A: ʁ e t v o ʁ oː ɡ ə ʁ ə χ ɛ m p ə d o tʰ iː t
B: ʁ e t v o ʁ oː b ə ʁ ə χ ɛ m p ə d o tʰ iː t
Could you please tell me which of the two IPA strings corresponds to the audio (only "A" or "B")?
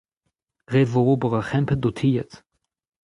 B